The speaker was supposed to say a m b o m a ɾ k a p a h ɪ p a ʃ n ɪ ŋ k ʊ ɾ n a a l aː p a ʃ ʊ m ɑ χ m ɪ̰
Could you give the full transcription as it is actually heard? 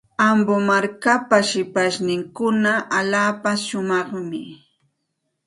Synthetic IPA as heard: a m b o m a ɾ k a p a ʃ ɪ p a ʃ n ɪ ŋ k ʊ n a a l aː p a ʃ ʊ m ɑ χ m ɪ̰